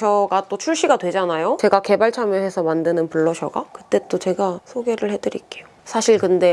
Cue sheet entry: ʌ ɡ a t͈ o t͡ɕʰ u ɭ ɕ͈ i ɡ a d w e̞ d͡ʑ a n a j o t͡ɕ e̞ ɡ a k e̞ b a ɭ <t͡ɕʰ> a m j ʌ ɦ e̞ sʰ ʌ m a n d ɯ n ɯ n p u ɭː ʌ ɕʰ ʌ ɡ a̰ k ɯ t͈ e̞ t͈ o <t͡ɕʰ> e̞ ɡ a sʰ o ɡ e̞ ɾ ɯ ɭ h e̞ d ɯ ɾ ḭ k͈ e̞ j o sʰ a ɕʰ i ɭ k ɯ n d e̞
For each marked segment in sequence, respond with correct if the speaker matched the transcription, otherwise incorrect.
correct, incorrect: t͡ɕ

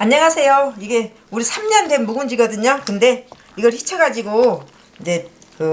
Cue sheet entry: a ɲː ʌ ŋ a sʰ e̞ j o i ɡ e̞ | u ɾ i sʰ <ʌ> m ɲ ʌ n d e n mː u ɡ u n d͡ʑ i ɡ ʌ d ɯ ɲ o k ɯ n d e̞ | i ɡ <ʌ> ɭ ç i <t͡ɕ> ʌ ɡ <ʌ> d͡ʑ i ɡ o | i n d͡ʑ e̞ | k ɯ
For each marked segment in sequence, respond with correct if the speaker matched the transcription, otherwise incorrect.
incorrect: a, correct, incorrect: t͡ɕʰ, incorrect: a

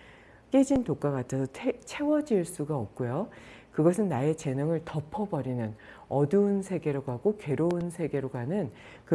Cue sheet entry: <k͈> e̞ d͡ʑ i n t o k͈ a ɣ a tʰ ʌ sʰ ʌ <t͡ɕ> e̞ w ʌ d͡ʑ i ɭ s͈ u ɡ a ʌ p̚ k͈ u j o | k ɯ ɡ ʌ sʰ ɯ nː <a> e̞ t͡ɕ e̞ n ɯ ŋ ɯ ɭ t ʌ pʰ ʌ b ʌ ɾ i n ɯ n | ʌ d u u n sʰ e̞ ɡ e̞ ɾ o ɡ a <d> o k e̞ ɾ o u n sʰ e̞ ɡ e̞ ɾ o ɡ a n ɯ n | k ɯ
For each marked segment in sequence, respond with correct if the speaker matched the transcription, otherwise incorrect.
correct, incorrect: t͡ɕʰ, correct, incorrect: ɡ

